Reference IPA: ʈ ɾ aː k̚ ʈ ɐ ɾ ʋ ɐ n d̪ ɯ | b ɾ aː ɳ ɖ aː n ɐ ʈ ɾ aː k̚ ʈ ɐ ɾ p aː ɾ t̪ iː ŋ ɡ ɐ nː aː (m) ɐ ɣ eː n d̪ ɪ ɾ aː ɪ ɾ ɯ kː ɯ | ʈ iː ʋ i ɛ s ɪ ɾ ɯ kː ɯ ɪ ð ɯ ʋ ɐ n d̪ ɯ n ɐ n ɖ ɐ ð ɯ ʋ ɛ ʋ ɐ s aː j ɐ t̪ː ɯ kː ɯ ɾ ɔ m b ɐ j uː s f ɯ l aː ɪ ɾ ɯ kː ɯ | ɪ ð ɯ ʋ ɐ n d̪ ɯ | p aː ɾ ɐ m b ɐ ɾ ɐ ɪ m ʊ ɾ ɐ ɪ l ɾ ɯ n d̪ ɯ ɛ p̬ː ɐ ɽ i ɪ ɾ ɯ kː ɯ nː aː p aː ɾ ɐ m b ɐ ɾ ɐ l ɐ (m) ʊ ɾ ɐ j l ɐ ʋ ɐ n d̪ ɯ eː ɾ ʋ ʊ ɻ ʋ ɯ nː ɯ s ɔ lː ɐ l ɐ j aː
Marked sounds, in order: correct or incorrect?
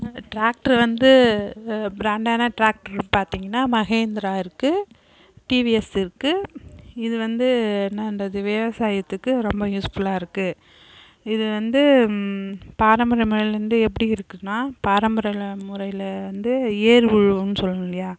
correct, correct

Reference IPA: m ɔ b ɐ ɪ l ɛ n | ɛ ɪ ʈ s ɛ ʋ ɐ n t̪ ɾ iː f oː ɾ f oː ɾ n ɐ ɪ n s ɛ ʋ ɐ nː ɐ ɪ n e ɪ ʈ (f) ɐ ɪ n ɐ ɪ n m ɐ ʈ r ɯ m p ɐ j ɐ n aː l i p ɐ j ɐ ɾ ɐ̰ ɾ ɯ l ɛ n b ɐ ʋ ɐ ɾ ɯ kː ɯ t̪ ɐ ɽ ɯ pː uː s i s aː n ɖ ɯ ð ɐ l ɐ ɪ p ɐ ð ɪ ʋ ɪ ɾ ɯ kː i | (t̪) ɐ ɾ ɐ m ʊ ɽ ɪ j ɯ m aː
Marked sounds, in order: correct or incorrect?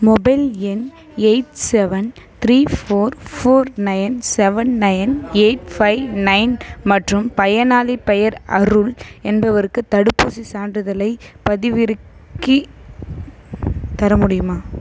correct, correct

